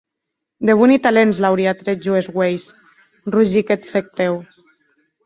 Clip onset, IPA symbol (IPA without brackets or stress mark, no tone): d̪